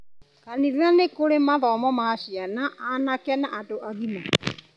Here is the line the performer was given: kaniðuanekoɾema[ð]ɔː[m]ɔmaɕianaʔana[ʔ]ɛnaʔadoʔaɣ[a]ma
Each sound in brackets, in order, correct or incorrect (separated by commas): correct, correct, incorrect, incorrect